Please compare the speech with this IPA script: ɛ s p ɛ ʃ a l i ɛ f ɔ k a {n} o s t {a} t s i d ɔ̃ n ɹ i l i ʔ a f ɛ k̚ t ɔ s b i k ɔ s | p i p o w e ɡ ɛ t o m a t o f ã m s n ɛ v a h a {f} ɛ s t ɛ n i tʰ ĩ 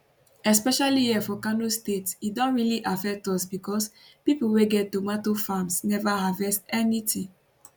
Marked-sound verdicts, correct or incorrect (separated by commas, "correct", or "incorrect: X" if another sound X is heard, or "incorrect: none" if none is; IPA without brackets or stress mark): correct, incorrect: e, incorrect: v